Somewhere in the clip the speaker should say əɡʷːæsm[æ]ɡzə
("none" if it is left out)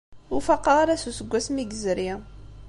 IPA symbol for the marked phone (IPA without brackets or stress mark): i